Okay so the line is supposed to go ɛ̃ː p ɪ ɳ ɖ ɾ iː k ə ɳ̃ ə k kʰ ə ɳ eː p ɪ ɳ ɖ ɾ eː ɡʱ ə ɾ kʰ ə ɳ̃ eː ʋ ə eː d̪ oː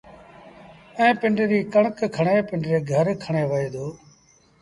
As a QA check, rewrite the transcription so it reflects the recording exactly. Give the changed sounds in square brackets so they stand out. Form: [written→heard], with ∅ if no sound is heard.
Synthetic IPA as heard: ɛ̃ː p ɪ ɳ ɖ ɾ iː k ə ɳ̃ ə k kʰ ə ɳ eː p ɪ ɳ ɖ ɾ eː ɡʱ ə ɾ kʰ ə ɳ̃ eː ʋ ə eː d̪ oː